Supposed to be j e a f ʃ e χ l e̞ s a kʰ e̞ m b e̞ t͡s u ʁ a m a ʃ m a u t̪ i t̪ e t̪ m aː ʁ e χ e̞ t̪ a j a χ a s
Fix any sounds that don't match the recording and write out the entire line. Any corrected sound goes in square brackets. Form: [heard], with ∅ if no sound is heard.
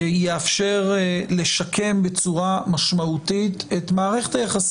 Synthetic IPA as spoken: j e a f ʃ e [ʁ] l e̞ [ʃ] a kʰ e̞ m b e̞ t͡s u ʁ a m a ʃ m a u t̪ i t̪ e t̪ m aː ʁ e χ e̞ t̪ a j a χ a s